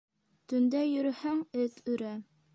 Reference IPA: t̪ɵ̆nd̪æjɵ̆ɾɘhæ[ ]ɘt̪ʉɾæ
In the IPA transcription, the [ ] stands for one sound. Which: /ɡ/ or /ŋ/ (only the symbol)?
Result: ŋ